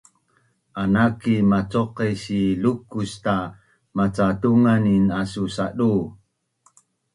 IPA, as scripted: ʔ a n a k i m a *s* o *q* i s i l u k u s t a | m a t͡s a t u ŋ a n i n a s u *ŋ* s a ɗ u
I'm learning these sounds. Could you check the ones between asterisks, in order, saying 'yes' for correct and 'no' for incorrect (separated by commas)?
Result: no, yes, no